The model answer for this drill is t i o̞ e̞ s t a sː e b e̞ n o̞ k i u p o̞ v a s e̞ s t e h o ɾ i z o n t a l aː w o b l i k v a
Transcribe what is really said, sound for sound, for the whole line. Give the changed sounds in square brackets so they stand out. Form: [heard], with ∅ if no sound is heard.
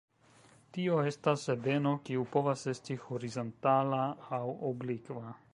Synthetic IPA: t i o̞ e̞ s t a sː e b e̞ n o̞ k i u p o̞ v a s e̞ s t [i] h o ɾ i z o n t a l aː w o b l i k v a